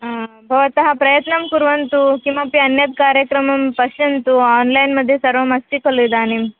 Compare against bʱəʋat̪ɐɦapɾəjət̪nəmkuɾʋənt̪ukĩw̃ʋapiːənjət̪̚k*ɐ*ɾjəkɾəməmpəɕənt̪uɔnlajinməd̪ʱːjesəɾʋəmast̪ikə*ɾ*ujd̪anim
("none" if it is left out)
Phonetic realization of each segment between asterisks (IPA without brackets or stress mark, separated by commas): a, l